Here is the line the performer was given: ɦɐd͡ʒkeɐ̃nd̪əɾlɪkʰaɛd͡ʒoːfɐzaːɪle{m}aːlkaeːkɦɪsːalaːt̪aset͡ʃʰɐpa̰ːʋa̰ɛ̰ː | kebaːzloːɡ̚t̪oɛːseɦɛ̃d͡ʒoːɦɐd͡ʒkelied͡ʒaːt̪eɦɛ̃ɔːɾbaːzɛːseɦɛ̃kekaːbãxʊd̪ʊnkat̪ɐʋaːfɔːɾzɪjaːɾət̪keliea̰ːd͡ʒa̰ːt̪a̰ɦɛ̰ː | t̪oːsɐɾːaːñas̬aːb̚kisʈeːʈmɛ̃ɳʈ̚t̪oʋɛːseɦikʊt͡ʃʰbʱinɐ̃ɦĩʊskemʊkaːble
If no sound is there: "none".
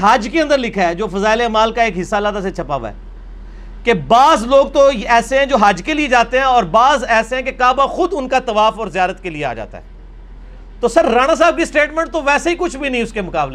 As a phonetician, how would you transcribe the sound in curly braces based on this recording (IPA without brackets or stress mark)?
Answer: m